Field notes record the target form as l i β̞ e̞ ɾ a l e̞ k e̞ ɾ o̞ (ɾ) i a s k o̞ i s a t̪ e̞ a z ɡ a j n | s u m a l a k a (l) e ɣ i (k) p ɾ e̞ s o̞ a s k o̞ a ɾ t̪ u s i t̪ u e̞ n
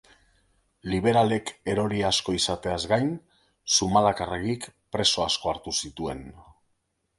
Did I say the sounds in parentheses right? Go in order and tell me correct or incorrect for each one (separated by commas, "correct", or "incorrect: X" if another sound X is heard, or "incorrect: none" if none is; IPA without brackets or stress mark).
correct, incorrect: r, correct